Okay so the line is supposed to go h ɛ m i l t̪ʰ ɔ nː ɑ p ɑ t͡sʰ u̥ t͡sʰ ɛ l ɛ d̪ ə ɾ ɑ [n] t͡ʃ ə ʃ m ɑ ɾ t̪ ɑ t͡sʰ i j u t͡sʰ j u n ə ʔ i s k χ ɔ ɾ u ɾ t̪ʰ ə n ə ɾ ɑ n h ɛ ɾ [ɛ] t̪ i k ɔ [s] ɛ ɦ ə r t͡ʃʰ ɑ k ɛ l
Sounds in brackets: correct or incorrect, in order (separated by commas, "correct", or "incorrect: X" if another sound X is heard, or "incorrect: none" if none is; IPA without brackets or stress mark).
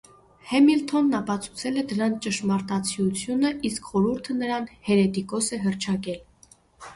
correct, correct, correct